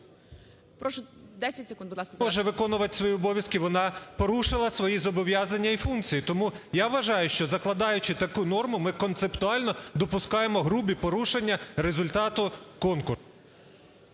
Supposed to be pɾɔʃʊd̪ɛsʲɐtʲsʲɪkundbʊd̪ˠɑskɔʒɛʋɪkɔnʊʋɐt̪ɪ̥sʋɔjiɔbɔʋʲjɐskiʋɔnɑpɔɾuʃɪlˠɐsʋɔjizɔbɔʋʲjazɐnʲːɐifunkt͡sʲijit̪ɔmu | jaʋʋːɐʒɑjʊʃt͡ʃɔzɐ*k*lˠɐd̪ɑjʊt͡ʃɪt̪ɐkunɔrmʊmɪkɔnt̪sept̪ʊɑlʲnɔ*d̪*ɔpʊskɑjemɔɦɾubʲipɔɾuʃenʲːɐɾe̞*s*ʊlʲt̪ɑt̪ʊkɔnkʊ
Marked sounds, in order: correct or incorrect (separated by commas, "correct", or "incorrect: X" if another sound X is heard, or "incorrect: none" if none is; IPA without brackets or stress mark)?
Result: correct, correct, incorrect: z